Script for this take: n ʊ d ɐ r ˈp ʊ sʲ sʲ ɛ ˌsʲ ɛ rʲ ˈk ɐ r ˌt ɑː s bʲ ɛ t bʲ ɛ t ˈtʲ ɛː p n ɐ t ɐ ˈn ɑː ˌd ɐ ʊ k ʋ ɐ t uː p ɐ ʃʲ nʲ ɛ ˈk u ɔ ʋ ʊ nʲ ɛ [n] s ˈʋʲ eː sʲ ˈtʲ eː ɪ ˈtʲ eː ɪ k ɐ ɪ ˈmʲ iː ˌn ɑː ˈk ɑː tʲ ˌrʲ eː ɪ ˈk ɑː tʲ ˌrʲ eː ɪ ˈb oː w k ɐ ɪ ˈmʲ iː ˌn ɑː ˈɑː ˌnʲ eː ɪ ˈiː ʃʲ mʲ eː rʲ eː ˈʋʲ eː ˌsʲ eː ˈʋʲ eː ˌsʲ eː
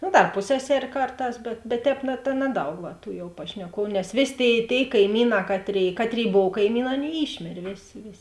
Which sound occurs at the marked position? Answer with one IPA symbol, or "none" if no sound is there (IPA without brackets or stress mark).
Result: none